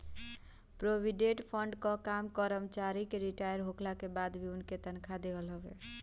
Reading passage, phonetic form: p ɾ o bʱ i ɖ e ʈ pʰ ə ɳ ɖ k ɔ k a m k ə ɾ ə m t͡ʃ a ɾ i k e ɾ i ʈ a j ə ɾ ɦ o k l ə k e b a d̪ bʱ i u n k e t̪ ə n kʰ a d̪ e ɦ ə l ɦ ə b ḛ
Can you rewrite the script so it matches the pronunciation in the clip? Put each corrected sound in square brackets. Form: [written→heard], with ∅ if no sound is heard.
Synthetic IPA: p ɾ o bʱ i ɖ e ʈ pʰ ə ɳ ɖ k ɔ k a m k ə ɾ ə m t͡ʃ a ɾ i k e ɾ i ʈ a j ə ɾ ɦ o k l [ə→a] k e b a d̪ bʱ i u n k e t̪ ə n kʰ a d̪ e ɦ ə l ɦ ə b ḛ